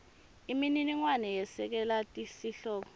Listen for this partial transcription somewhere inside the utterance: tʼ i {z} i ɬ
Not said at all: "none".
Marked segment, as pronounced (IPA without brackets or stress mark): s